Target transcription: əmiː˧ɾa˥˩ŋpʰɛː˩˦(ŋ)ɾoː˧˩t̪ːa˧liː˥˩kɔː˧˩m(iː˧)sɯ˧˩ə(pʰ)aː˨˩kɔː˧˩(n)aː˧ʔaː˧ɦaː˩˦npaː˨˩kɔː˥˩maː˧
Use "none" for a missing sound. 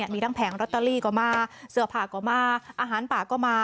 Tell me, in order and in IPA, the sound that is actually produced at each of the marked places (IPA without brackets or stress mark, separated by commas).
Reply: ŋ, aː˧, pʰ, m